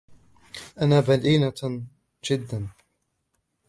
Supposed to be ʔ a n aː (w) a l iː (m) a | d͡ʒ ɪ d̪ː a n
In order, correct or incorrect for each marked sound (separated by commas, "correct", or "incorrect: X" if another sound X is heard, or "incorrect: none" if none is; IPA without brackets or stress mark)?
incorrect: b, incorrect: n